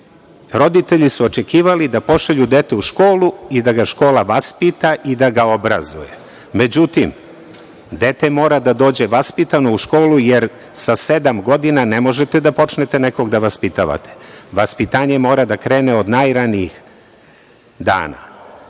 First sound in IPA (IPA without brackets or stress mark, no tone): ɾ